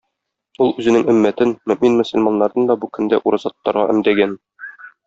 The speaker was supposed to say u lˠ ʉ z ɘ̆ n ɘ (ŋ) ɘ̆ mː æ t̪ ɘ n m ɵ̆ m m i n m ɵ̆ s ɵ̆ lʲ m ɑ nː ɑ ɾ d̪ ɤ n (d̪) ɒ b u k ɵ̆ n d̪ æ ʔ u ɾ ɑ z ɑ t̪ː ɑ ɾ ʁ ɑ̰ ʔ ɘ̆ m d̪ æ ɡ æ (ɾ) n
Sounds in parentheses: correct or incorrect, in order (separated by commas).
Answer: correct, correct, incorrect